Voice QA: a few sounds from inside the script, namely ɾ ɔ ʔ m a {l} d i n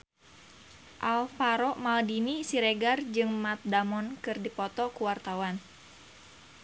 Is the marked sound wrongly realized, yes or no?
no